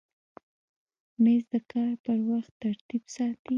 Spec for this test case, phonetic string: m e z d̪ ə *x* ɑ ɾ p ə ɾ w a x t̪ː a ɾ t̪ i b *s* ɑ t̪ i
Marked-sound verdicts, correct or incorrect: incorrect: k, correct

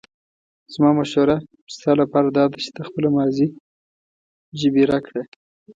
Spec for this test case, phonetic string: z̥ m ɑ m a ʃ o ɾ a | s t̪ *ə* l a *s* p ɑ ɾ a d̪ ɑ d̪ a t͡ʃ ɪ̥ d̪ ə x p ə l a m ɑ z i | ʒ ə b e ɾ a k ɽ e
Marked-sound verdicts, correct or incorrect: incorrect: ɑ, incorrect: none

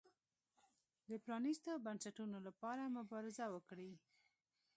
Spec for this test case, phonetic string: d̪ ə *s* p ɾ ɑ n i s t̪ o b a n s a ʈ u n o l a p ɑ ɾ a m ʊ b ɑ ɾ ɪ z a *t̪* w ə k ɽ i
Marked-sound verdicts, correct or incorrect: incorrect: none, incorrect: none

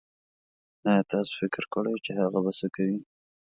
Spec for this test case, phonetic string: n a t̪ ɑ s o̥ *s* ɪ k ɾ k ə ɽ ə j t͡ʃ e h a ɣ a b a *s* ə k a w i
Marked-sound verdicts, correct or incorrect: incorrect: f, correct

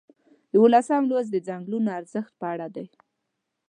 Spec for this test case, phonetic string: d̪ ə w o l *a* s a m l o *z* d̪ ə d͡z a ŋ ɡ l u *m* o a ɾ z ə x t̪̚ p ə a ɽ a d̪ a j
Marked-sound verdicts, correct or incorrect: correct, correct, incorrect: n

